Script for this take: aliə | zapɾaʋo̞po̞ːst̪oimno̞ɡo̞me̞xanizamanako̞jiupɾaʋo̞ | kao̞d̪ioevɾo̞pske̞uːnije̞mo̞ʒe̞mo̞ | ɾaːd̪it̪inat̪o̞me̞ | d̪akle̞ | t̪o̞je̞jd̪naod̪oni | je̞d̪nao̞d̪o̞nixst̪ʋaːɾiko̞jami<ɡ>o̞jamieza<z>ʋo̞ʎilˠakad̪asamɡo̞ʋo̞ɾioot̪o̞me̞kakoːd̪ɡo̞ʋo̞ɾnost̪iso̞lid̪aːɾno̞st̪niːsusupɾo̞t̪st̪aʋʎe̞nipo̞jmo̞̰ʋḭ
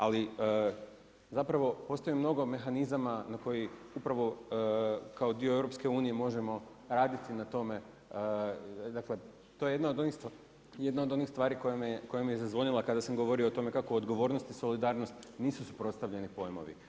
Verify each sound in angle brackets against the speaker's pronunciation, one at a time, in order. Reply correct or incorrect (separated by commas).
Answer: incorrect, correct